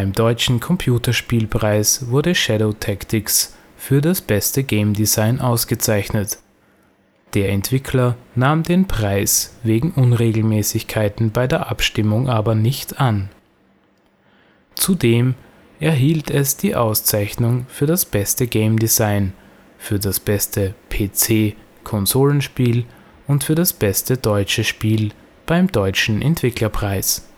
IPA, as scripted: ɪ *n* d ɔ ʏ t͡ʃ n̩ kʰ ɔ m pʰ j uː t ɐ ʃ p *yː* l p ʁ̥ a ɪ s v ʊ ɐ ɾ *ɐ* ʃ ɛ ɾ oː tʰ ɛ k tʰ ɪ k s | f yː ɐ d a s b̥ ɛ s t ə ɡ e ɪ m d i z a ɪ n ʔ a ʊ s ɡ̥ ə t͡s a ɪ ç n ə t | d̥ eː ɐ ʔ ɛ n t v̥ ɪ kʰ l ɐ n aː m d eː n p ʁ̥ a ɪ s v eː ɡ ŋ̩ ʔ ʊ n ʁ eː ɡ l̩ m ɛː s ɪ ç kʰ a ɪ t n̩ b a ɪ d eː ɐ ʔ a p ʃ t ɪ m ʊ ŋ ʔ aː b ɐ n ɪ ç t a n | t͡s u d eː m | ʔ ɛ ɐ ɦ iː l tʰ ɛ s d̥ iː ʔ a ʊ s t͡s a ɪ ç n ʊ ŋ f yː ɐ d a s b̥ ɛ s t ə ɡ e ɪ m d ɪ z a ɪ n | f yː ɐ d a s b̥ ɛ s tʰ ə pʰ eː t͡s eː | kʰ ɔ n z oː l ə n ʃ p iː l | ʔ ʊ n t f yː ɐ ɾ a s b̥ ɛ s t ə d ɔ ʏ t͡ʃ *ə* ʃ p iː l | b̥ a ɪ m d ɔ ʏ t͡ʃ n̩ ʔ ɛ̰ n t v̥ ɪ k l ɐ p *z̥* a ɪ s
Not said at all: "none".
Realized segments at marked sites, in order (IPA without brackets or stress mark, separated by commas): m, iː, ə, ə, ʁ̥